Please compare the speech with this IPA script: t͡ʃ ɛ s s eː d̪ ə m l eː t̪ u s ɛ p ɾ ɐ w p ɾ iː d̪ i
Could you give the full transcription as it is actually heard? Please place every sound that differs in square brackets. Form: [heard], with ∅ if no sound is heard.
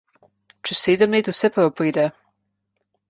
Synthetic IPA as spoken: t͡ʃ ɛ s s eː d̪ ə m l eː t̪ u s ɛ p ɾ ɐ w p ɾ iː d̪ [ɛ]